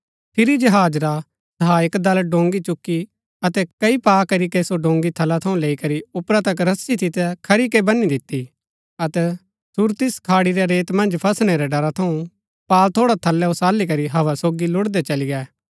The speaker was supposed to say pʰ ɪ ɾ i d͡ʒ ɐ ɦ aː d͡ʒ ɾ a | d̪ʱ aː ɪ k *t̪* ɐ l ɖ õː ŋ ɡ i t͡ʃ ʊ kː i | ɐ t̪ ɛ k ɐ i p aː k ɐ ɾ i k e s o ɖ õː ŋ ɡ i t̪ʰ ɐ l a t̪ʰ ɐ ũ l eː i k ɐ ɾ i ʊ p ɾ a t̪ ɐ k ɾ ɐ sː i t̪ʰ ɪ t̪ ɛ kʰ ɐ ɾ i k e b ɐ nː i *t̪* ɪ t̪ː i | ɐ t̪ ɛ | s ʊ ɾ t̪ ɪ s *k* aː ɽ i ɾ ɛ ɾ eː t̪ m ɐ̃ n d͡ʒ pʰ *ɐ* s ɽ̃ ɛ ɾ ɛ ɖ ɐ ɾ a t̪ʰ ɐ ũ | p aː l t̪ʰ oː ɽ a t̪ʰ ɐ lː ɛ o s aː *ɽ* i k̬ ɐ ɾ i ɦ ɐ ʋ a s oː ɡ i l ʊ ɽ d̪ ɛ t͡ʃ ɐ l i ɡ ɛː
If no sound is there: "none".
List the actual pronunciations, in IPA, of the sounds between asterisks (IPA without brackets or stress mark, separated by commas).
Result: d̪, d̪, kʰ, ɐ, l